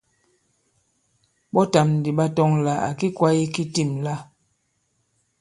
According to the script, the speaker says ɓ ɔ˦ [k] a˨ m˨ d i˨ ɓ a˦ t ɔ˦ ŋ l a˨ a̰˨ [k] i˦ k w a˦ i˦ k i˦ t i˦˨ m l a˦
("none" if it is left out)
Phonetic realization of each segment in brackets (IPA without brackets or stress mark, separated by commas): t, k